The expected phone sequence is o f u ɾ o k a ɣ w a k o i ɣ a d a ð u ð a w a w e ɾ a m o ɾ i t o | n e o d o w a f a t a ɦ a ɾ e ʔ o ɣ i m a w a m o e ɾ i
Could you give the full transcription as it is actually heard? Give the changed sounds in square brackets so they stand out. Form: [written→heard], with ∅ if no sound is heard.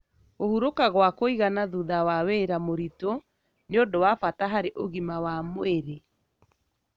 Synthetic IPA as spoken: o [f→h] u ɾ o k a ɣ w a k o i ɣ a [d→n] a ð u ð a w a w e ɾ a m o ɾ i t o | n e o d o w a f a t a ɦ a ɾ e ʔ o ɣ i m a w a m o e ɾ [i→e]

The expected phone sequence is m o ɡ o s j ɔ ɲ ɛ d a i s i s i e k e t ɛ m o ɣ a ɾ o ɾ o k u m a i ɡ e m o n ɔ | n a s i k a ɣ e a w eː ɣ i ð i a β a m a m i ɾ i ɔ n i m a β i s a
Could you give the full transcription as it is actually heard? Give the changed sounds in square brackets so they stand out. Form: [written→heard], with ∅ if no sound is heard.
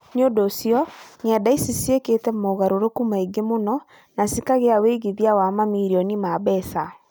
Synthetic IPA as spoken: [m→ɲ] o [ɡ→d] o s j ɔ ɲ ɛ d a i s i s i e k e t ɛ m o ɣ a ɾ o ɾ o k u m a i ɡ e m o n ɔ | n a s i k a ɣ e a w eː ɣ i ð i a [β→w] a m a m i ɾ i ɔ n i m a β [i→ɛ] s a

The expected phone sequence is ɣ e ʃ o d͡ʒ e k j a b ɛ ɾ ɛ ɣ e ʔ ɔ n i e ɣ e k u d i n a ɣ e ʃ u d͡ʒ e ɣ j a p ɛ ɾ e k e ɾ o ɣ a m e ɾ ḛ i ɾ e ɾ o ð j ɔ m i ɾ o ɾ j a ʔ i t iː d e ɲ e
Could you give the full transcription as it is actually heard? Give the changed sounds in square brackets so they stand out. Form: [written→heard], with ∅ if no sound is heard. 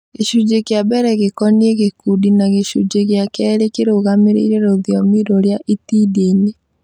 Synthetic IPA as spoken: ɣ e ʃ [o→u] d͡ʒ e k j a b ɛ ɾ ɛ ɣ e [ʔ→k] ɔ n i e ɣ e k u d i n a ɣ e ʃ u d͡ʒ e ɣ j a [p→k] ɛ ɾ e k e ɾ o ɣ a m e ɾ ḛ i ɾ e ɾ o ð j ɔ m i ɾ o ɾ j a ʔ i t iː d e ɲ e

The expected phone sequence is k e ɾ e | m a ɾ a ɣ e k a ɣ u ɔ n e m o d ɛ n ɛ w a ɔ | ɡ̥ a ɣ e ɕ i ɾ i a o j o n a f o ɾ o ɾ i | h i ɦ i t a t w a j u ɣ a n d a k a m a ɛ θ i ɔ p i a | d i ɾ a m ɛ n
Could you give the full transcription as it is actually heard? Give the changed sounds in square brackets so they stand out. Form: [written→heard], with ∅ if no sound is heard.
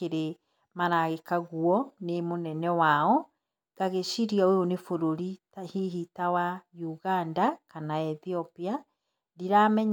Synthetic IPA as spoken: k e ɾ e | m a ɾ a ɣ e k a ɣ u ɔ n e m o [d→n] ɛ n ɛ w a ɔ | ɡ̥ a ɣ e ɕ i ɾ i a o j o n [a→e] f o ɾ o ɾ i | h i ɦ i t a [t→∅] w a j u ɣ a n d a k a [m→n] a ɛ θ i ɔ p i a | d i ɾ a m ɛ [n→ɲ]

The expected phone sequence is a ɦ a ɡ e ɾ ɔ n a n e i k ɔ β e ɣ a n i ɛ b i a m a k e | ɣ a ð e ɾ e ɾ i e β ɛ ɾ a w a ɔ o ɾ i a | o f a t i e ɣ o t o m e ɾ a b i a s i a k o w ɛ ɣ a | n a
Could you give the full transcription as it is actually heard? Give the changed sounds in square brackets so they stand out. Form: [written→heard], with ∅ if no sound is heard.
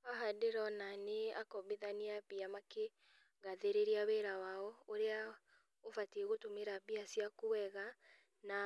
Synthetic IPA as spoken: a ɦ a [ɡ→d] e ɾ ɔ n a n e [i→a] k ɔ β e [ɣ→ð] a n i [ɛ→a] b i a m a k e | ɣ a ð e ɾ e ɾ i [e→a] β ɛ ɾ a w a ɔ o ɾ [i→e] a | o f a t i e ɣ o t o m e ɾ a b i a s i a k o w ɛ ɣ a | n a

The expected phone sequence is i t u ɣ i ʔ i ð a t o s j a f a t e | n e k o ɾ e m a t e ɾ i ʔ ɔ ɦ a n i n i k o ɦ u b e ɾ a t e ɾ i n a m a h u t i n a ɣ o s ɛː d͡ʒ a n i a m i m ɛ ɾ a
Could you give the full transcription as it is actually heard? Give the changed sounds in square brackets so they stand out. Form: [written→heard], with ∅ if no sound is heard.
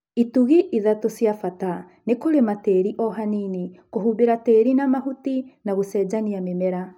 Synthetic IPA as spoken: i t u ɣ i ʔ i ð a t o s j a f a t [e→a] | n e k o ɾ e m a t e ɾ i ʔ ɔ ɦ a n i n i k o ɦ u b e ɾ a t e ɾ i n a m a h u t i n a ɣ o s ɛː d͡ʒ a n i a m [i→e] m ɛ ɾ a

